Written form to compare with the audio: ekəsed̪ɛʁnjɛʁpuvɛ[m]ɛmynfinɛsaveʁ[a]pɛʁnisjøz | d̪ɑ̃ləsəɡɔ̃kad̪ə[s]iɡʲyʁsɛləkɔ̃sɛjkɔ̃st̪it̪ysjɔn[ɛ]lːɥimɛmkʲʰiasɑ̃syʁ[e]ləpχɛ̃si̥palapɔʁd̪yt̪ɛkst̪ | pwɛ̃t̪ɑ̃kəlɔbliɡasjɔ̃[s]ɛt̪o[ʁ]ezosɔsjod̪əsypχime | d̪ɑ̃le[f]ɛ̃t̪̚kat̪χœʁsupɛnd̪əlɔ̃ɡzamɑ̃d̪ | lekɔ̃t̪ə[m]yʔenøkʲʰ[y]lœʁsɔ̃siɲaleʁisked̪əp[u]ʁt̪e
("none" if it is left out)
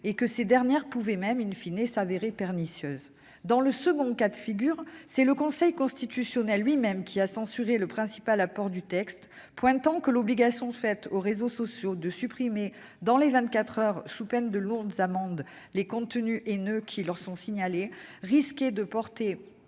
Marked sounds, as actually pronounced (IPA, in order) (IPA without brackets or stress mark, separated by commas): m, e, f, ɛ, e, f, ʁ, v, n, i, ɔ